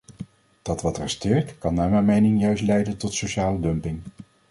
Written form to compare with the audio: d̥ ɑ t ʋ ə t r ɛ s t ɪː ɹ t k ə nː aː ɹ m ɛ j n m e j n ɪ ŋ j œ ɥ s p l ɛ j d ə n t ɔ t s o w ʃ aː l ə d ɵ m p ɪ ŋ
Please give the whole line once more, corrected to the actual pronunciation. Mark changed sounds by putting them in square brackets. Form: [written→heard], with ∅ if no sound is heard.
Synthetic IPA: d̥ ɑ t ʋ [ə→ɑ] t r ɛ s t ɪː ɹ t k [ə→ɑ] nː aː ɹ m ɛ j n m e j n ɪ ŋ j œ ɥ s [p→t] l ɛ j d ə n t ɔ t s o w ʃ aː l ə d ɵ m p ɪ ŋ